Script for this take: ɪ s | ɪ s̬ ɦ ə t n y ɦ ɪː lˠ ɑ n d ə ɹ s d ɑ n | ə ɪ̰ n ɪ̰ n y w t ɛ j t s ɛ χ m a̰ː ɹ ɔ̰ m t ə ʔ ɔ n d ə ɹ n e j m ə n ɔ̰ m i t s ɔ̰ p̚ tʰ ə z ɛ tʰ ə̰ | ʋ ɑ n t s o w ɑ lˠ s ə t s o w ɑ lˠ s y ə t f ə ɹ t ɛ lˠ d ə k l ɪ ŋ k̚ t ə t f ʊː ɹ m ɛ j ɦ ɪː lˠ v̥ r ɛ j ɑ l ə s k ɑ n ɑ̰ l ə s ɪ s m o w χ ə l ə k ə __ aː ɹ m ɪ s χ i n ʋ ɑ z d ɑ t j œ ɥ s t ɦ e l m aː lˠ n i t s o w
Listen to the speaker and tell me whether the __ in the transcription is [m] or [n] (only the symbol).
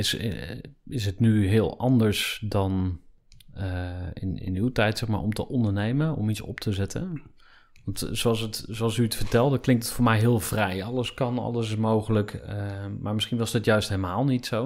m